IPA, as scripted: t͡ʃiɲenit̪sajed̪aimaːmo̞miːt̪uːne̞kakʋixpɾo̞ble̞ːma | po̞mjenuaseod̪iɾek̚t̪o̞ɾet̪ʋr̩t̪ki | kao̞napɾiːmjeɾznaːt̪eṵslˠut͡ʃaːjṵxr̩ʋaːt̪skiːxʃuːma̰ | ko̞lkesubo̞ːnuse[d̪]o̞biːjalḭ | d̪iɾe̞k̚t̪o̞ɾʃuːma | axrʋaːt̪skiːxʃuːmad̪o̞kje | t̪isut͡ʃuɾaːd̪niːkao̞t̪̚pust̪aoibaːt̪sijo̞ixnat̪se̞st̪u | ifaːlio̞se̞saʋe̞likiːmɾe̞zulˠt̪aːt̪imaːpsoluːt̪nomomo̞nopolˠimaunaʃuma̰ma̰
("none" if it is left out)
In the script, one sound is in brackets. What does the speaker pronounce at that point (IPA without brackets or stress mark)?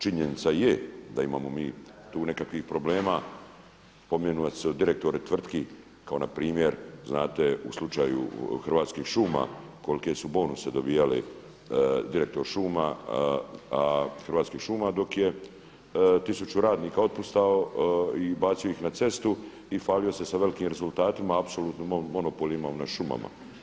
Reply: d̪